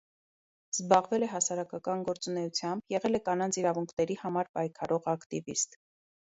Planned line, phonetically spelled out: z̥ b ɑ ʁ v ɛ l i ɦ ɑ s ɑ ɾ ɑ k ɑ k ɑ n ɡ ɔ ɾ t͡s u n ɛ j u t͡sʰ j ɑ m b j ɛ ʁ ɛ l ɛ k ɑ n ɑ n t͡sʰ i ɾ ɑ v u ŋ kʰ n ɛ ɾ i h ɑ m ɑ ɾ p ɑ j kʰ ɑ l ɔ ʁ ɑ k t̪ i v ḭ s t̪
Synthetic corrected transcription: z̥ b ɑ ʁ v ɛ l ɛ ɦ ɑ s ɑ ɾ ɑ k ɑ k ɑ n ɡ ɔ ɾ t͡s u n ɛ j u t͡sʰ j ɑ m b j ɛ ʁ ɛ l ɛ k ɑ n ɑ n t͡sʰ i ɾ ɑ v u ŋ kʰ n ɛ ɾ i h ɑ m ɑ ɾ p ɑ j kʰ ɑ ɾ ɔ ʁ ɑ k t̪ i v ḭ s t̪